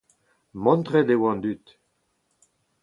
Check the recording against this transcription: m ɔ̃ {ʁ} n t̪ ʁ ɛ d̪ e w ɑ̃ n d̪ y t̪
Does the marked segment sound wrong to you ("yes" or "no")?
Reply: yes